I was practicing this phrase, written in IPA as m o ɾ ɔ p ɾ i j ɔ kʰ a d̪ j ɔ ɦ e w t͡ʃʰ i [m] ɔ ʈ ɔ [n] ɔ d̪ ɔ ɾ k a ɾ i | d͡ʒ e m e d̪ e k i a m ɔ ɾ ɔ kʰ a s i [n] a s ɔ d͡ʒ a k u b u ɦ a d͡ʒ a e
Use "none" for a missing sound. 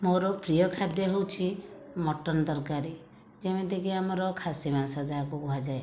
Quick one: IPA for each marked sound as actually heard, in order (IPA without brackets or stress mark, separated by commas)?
m, n, m